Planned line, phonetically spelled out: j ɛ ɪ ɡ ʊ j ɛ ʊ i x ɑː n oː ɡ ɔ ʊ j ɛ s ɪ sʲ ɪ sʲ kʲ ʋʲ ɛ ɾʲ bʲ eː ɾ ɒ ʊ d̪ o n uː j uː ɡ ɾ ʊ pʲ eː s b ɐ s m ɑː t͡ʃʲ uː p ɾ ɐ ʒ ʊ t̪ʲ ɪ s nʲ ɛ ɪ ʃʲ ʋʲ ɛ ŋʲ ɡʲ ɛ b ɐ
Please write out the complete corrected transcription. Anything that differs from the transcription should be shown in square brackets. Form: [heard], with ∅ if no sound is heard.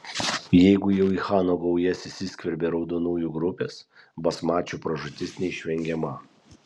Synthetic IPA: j ɛ ɪ ɡ ʊ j ɛ ʊ i x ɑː n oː ɡ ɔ ʊ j ɛ s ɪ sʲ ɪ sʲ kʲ ʋʲ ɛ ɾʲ bʲ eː ɾ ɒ ʊ d̪ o n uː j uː ɡ ɾ ʊ pʲ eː s b ɐ s m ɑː t͡ʃʲ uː p ɾ ɐ ʒ ʊ t̪ʲ ɪ s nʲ ɛ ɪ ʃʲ ʋʲ ɛ ŋʲ ɡʲ ɛ [m] ɐ